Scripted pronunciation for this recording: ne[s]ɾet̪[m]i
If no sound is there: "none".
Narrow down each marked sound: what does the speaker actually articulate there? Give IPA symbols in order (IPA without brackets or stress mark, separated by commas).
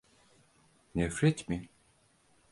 f, m